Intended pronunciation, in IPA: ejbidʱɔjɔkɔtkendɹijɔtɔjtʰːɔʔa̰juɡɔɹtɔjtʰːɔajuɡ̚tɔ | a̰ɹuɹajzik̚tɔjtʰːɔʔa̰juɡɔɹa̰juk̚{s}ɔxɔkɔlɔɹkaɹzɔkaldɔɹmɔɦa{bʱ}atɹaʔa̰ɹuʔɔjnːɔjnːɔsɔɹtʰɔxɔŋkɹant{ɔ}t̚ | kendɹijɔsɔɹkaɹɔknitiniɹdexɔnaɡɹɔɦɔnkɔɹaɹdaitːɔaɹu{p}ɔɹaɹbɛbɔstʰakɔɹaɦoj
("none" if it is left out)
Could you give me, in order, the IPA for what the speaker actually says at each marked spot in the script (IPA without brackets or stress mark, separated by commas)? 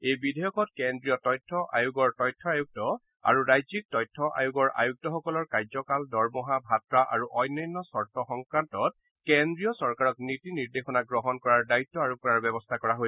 t, bʱ, ɔ, k